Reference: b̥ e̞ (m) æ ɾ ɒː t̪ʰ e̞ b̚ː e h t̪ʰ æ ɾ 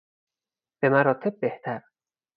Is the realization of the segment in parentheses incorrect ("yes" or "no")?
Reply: no